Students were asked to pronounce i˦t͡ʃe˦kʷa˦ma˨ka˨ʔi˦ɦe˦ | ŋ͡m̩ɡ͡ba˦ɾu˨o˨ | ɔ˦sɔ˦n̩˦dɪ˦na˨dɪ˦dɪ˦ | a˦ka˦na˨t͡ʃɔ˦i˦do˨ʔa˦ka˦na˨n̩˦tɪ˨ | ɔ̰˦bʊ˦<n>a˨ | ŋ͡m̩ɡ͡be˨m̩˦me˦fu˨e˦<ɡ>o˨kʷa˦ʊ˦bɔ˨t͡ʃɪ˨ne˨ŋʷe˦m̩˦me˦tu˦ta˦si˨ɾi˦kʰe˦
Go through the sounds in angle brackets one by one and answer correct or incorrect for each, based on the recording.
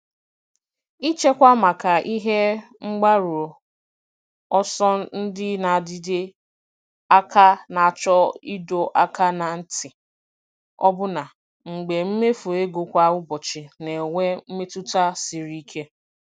correct, correct

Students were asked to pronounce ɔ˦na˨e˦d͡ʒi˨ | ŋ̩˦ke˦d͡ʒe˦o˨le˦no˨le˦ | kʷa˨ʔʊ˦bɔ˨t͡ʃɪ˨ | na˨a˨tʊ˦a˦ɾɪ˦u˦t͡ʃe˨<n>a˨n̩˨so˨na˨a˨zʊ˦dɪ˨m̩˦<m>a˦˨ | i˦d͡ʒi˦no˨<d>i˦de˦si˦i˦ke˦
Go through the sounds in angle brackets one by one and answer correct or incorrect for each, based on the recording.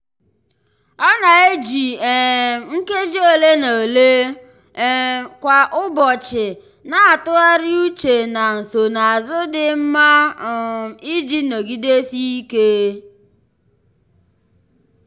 correct, correct, incorrect: ɡ

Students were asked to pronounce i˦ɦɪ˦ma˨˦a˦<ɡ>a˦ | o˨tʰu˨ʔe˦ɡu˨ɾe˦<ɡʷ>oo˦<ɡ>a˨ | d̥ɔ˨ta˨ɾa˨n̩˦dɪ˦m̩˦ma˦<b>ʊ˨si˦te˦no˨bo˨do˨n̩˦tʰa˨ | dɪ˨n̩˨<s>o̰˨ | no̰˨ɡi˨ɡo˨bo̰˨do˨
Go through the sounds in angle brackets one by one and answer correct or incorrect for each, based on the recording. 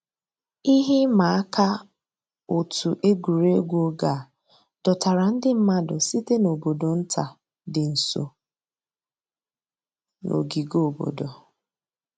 incorrect: k, correct, correct, incorrect: d, correct

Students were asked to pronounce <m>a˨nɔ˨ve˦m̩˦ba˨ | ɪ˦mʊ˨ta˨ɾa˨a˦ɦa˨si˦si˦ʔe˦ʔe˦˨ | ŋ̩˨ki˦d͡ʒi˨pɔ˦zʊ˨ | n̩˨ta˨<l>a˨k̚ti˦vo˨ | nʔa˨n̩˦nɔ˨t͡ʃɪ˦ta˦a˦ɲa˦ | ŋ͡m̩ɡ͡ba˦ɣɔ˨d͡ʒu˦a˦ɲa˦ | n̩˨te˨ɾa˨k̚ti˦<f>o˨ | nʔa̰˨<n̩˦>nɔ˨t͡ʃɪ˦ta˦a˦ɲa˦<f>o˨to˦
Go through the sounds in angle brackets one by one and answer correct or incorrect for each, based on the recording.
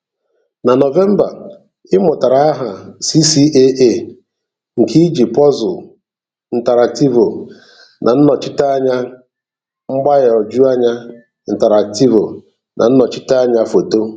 incorrect: n, incorrect: ɾ, incorrect: v, correct, correct

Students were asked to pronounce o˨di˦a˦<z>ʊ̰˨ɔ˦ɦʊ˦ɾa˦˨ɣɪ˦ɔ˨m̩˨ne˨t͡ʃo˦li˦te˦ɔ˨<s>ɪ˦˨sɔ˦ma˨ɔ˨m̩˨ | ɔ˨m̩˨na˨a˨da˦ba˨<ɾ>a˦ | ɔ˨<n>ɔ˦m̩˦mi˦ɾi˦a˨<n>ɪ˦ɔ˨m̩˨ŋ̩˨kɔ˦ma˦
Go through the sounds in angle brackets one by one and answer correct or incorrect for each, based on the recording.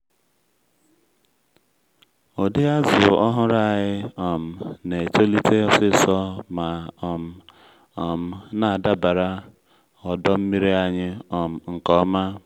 correct, correct, correct, incorrect: d, incorrect: ɲ

